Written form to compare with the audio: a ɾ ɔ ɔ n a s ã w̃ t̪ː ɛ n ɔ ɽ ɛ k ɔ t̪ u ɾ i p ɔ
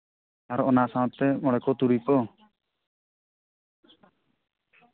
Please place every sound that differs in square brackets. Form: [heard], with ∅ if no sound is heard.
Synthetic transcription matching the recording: a ɾ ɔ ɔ n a s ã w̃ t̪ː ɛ [m] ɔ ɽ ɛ k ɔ t̪ u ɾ i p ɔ